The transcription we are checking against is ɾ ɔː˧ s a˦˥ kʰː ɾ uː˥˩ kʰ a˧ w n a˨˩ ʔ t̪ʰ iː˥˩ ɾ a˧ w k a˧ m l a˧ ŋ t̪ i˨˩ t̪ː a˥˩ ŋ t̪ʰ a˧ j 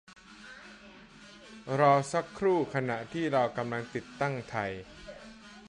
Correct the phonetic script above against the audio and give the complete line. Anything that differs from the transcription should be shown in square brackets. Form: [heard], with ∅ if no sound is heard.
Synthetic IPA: ɾ ɔː˧ s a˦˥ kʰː ɾ uː˥˩ kʰ a˧ [∅] n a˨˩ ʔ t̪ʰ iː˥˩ ɾ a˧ w k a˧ m l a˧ ŋ t̪ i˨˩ t̪ː a˥˩ ŋ t̪ʰ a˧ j